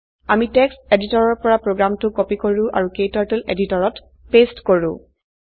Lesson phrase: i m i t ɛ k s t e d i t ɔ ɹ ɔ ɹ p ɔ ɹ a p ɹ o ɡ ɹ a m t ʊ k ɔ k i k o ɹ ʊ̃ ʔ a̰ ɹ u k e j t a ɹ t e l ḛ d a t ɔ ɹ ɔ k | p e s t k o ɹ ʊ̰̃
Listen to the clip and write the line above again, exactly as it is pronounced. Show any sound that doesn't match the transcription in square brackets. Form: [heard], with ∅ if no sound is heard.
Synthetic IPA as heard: [a] m i t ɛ k s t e d i t ɔ ɹ ɔ ɹ p ɔ ɹ a p ɹ o ɡ ɹ a m t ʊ k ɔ [p] i k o ɹ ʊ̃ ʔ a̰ ɹ u k e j t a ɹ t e l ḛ d [i] t ɔ ɹ ɔ [t] | p e s t k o ɹ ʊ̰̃

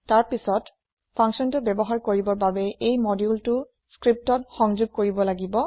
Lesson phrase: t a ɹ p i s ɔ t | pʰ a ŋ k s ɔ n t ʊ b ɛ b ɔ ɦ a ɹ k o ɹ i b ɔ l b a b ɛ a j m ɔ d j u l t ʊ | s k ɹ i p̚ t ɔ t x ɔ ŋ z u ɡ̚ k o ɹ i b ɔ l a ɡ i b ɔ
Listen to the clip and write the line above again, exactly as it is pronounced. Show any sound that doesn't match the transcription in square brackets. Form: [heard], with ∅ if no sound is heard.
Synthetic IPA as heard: t a ɹ p i s ɔ t | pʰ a ŋ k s ɔ n t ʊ b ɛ b ɔ ɦ a ɹ k o ɹ i b ɔ [ɹ] b a b ɛ [e] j m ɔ d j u l t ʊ | s k ɹ i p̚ t ɔ t x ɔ ŋ z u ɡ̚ k o ɹ i b ɔ l a ɡ i b ɔ

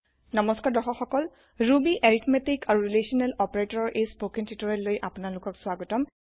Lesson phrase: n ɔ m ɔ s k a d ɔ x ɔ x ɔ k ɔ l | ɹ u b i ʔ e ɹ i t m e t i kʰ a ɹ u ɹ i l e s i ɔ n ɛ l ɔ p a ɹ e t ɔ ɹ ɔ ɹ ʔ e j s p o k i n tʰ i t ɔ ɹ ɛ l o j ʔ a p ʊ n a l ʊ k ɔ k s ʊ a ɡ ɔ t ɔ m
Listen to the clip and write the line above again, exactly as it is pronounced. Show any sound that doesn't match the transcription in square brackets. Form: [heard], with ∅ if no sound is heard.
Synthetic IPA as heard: n ɔ m ɔ s k a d ɔ x ɔ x ɔ k ɔ l | ɹ u b i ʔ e ɹ i t m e t i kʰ a ɹ u ɹ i l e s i ɔ n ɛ l ɔ p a ɹ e t ɔ ɹ ɔ ɹ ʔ e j s p o k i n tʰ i t ɔ ɹ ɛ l o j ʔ a p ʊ n a l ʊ k ɔ k s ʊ a ɡ ɔ t ɔ m

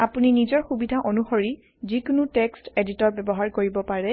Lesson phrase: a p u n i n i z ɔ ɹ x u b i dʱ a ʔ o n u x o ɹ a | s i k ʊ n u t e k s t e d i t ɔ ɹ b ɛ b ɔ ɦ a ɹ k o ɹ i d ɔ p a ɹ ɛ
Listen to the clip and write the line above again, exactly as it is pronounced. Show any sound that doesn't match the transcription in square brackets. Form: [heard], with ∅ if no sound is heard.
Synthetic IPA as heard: a p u n i n i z ɔ ɹ x u b i dʱ a ʔ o n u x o ɹ [i] | [z] i k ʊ n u t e k s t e d i t ɔ ɹ b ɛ b ɔ ɦ a ɹ k o ɹ i [b] ɔ p a ɹ ɛ

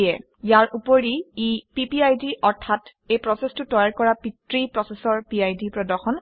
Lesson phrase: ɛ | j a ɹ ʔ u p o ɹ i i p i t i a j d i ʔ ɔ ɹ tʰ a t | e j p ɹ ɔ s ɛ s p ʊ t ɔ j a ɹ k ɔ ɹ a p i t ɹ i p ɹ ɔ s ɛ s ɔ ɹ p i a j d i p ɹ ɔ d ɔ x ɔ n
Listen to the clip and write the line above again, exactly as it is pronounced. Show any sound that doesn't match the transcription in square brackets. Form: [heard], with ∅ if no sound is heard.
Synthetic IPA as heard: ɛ | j a ɹ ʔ u p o ɹ i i p i [p] i a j d i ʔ ɔ ɹ tʰ a t | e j p ɹ ɔ s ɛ s [t] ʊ t ɔ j a ɹ k ɔ ɹ a p i t ɹ i p ɹ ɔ s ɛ s ɔ ɹ p i a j d i p ɹ ɔ d ɔ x ɔ n

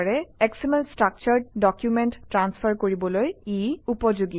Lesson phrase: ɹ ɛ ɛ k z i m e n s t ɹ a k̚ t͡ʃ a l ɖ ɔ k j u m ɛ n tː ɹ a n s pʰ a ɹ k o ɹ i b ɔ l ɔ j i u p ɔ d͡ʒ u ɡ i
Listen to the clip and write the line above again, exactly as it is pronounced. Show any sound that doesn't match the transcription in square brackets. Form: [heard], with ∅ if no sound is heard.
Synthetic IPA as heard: ɹ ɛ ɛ k [s] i m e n s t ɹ a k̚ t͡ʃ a [ɹ] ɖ ɔ k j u m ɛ n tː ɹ a n s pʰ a ɹ k o ɹ i b ɔ l [o] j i u p ɔ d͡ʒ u ɡ i

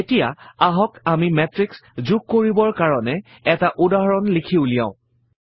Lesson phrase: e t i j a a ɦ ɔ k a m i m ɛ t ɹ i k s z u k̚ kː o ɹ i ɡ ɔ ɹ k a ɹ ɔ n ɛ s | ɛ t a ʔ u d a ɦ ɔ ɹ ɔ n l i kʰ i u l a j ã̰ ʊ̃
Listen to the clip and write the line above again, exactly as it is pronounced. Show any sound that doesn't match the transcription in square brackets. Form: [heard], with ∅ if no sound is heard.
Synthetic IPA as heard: e t i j a a ɦ ɔ k a m i m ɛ t ɹ i k s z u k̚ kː o ɹ i [b] ɔ ɹ k a ɹ ɔ n ɛ [∅] | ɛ t a ʔ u d a ɦ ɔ ɹ ɔ n l i kʰ i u l [i] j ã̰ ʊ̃

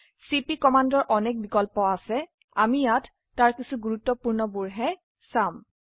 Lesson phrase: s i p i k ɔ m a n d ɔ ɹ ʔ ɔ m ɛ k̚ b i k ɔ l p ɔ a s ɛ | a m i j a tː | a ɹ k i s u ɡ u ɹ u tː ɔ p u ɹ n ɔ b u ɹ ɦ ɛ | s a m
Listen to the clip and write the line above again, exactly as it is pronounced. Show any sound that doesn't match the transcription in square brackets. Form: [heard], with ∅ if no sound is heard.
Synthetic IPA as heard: s i p i k ɔ m a n d ɔ ɹ ʔ ɔ [n] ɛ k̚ b i k ɔ l p ɔ a s ɛ | a m i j a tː | a ɹ k i s u ɡ u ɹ u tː ɔ p u ɹ n ɔ b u ɹ ɦ ɛ | s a m

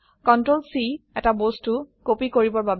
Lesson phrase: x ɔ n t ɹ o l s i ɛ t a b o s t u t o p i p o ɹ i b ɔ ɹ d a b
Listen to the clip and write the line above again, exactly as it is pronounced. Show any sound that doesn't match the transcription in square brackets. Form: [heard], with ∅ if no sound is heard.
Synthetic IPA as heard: [k] ɔ n t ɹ o l s i ɛ t a b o s t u [k] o p i [k] o ɹ i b ɔ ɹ [b] a b

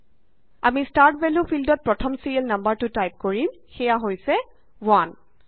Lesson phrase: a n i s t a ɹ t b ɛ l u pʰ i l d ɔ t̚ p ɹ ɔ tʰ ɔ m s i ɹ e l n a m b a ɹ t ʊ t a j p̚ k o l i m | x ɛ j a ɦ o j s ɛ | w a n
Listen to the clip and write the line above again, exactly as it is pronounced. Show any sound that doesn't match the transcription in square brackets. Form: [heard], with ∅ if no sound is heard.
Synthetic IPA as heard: a [m] i s t a ɹ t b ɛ l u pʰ i l d ɔ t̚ p ɹ ɔ tʰ ɔ m s i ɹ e l n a m b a ɹ t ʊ t a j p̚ k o [ɹ] i m | x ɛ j a ɦ o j s ɛ | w a n

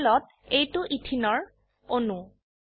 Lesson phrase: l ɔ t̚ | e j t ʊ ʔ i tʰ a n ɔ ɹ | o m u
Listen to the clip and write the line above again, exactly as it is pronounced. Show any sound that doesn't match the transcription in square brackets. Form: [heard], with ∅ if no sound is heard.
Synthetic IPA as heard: l ɔ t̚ | e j t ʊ ʔ i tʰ [i] n ɔ ɹ | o [n] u

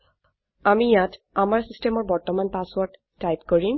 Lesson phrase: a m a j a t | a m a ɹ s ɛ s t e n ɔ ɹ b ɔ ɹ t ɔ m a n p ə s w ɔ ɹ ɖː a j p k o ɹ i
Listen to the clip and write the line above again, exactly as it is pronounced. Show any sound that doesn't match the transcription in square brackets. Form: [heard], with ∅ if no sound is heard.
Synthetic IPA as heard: a m [i] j a t | a m a ɹ s [i] s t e [m] ɔ ɹ b ɔ ɹ t ɔ m a n p [a] s w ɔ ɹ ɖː a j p k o ɹ i

